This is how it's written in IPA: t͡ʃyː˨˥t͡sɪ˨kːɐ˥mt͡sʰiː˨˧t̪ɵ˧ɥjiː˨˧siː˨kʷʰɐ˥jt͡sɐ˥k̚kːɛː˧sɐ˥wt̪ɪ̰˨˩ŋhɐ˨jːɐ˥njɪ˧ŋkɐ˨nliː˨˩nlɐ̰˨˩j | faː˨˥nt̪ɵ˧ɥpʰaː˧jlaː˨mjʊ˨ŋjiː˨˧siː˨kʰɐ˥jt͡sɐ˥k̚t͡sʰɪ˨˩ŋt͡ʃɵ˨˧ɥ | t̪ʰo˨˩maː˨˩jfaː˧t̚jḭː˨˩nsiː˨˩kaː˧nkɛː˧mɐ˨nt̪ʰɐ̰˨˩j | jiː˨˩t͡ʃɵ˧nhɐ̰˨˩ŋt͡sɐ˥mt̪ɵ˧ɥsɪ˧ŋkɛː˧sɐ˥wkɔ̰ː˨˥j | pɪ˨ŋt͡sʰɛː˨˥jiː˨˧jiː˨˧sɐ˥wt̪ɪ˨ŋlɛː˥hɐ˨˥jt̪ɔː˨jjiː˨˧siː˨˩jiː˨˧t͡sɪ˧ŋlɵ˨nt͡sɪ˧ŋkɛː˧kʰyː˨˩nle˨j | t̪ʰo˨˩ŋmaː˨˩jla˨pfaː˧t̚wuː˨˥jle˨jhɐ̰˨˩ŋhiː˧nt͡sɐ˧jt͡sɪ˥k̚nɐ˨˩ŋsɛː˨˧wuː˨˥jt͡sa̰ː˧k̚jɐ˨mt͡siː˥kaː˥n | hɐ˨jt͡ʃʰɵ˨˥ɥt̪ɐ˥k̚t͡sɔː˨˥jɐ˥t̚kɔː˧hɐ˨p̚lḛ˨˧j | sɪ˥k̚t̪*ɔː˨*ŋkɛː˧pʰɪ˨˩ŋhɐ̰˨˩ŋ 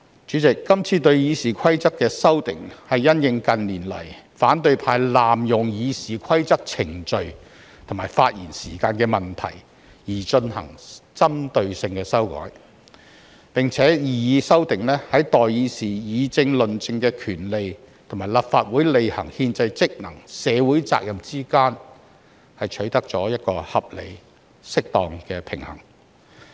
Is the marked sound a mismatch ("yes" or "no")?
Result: no